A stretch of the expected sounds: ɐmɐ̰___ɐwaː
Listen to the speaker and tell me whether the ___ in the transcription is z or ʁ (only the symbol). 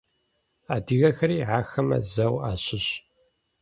z